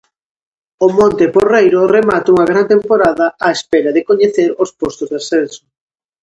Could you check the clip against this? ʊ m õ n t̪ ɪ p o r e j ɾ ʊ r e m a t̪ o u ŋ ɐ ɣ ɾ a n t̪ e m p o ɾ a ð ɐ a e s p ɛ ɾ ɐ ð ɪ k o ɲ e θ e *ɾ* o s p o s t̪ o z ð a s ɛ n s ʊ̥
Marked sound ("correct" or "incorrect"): correct